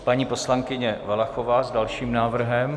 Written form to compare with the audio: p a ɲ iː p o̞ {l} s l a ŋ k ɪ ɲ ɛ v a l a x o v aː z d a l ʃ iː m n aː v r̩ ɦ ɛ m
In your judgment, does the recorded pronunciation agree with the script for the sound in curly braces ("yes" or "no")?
no